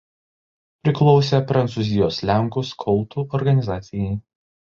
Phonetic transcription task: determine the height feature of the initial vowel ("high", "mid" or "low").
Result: high